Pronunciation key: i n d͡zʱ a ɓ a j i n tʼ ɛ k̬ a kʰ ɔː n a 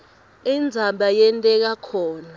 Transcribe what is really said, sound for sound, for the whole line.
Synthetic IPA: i n d͡zʱ a ɓ a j ɛ n tʼ ɛ k̬ a kʰ ɔː n a